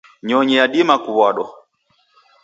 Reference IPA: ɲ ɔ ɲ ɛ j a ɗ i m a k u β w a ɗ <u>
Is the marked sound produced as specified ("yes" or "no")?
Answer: no